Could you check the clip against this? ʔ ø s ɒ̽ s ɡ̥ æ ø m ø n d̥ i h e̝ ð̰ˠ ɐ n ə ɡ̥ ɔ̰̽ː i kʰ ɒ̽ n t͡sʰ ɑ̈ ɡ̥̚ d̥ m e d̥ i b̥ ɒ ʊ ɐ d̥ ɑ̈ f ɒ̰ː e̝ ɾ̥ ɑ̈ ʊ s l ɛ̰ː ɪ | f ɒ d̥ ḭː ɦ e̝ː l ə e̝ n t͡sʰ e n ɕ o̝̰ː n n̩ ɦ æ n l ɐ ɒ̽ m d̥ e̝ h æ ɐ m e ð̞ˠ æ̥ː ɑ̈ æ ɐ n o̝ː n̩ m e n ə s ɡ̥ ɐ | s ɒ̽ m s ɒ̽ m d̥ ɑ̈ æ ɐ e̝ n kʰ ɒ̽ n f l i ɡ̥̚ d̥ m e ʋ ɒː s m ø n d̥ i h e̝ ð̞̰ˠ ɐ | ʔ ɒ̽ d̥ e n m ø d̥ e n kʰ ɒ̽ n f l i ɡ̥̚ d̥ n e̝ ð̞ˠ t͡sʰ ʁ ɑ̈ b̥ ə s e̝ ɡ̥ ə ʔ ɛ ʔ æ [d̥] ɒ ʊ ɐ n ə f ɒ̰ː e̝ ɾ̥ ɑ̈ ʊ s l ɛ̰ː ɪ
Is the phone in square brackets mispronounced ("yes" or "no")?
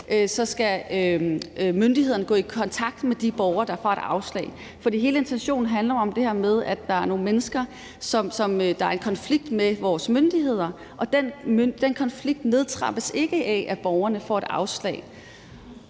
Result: yes